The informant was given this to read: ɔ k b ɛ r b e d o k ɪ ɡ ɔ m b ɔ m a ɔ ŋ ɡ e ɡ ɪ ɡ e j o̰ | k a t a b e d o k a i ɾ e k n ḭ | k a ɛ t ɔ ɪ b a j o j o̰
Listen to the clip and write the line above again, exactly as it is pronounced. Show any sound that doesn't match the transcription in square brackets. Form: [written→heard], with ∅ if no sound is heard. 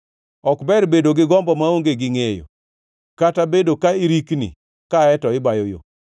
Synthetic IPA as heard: ɔ k b ɛ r b e d o [k→ɡ] ɪ ɡ ɔ m b ɔ m a [ɔ→o] ŋ ɡ e ɡ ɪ [ɡ→ŋ] e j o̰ | k a t a b e d o k a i ɾ [e→i] k n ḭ | k a ɛ t ɔ ɪ b a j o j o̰